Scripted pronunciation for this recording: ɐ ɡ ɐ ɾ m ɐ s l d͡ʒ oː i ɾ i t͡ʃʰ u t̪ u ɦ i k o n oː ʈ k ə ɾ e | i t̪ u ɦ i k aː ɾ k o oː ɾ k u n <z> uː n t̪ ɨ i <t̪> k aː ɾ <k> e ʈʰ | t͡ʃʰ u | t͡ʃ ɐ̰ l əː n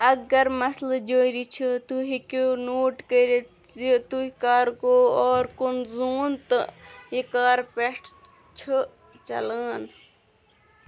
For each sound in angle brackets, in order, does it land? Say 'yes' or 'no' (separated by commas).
yes, no, no